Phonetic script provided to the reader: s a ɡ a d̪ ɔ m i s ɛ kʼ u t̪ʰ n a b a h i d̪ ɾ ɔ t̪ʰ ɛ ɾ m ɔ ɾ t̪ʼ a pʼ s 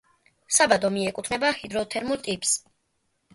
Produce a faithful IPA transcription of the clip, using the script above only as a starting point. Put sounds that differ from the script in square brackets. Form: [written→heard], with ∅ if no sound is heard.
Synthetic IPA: s a [ɡ→b] a d̪ ɔ m i [s→∅] ɛ kʼ u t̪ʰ n [a→ɛ] b a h i d̪ ɾ ɔ t̪ʰ ɛ ɾ m [ɔ→u] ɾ t̪ʼ [a→i] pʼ s